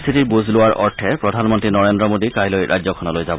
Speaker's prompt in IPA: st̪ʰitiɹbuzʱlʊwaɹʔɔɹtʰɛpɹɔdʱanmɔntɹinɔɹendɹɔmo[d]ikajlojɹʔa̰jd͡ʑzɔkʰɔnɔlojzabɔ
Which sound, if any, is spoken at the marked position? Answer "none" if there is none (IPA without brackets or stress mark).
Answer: d